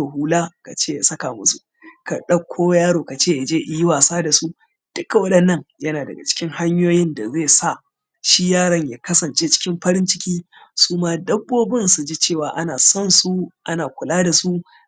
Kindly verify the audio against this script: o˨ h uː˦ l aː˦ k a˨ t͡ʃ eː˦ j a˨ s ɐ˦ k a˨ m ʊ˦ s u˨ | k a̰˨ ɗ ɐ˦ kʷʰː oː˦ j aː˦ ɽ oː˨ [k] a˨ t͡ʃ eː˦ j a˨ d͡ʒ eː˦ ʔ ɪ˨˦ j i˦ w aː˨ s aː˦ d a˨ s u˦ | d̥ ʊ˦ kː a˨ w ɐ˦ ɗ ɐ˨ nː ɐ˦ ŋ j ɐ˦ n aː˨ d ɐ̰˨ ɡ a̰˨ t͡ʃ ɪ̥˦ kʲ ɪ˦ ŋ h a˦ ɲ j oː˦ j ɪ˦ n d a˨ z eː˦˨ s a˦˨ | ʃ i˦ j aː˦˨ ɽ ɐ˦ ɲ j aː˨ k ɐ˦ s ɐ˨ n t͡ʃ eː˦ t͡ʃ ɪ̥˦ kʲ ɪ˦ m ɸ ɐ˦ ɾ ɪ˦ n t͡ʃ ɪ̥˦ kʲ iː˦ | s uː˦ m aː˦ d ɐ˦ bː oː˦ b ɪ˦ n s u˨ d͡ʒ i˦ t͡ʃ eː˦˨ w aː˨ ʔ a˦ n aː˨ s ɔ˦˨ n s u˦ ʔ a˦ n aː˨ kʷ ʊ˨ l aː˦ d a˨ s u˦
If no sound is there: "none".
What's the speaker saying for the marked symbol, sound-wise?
k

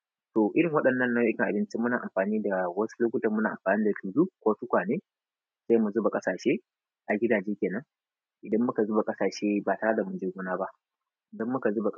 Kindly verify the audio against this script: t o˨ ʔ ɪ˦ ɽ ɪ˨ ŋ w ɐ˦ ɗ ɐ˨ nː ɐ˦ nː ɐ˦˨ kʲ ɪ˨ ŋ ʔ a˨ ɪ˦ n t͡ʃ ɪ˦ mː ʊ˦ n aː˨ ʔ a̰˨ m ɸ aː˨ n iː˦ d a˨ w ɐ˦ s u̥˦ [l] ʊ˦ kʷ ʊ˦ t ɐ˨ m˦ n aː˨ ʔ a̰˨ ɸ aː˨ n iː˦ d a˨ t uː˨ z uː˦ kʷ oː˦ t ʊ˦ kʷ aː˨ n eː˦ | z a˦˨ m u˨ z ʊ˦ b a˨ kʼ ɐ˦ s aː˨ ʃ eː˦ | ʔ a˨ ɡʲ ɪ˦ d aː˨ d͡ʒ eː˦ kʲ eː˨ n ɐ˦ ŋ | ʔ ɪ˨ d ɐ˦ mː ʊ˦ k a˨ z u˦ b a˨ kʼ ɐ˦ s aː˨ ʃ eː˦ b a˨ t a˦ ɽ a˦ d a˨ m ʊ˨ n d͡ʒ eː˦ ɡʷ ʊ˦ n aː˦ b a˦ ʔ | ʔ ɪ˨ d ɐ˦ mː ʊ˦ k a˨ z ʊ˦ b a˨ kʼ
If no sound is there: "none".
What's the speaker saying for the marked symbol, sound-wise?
l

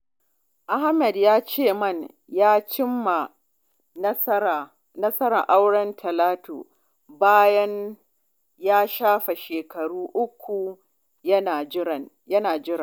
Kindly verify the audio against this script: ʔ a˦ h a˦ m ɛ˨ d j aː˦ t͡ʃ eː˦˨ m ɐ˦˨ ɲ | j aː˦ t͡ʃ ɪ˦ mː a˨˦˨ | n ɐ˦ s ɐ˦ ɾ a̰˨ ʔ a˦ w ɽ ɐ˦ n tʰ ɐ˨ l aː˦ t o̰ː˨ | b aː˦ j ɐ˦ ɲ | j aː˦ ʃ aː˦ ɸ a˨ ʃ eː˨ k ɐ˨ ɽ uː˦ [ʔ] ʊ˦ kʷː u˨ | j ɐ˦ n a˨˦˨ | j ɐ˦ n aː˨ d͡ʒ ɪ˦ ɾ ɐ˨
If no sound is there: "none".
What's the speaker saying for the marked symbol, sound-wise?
ʔ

